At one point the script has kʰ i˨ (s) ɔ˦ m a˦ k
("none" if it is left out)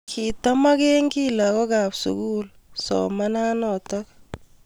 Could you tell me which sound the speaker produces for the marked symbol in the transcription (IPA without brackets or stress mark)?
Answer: t